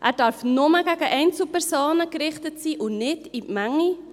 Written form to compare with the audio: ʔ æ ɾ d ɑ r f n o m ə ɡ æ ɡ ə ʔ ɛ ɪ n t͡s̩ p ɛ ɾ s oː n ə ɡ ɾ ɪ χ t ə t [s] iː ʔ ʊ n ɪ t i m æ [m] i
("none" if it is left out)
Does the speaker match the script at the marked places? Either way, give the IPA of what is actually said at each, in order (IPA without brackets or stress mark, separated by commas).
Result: s, ŋ